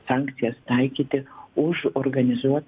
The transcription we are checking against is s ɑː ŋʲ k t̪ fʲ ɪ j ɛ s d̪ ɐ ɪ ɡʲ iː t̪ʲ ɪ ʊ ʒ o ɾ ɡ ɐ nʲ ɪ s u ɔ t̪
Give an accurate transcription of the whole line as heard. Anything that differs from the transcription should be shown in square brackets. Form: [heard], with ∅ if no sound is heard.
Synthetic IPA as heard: s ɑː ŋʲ k t̪ [sʲ] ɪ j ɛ s [t̪] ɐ ɪ [kʲ] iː t̪ʲ ɪ ʊ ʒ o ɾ ɡ ɐ nʲ ɪ [z] u ɔ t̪